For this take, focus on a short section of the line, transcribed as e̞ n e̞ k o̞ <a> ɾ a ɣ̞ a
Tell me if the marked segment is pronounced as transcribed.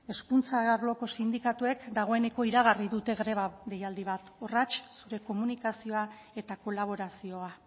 no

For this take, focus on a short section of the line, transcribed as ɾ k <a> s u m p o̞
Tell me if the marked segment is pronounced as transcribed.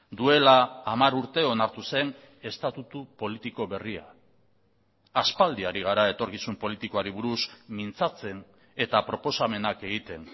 no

